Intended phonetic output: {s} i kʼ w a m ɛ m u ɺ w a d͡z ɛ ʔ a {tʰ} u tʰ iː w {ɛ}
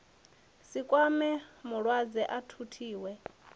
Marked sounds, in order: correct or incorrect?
correct, correct, correct

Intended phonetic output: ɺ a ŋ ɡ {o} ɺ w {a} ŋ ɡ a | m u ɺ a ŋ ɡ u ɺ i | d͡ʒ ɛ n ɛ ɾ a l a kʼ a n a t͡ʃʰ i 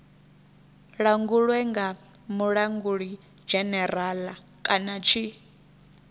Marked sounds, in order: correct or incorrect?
incorrect: u, incorrect: ɛ

